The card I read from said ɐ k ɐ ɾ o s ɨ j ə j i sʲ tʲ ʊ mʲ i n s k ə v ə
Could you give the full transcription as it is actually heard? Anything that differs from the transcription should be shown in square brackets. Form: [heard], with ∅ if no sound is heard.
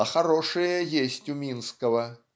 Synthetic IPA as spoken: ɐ [x] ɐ ɾ o [ʂ] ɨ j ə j [e] sʲ tʲ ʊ mʲ i n s k ə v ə